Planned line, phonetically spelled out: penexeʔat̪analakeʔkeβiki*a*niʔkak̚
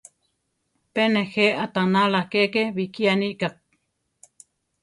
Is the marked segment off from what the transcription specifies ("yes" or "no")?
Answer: no